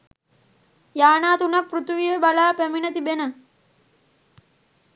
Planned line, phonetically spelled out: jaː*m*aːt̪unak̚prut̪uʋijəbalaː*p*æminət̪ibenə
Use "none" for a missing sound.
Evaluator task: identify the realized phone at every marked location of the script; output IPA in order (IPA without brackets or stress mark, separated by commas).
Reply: n, p